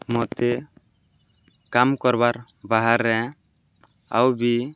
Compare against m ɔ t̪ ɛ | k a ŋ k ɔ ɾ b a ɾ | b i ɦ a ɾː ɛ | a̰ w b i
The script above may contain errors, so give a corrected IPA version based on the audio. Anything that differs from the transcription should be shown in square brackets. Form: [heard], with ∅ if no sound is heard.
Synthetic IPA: m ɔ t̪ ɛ | k a [m] k ɔ ɾ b a ɾ | b [a] ɦ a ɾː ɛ | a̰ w b i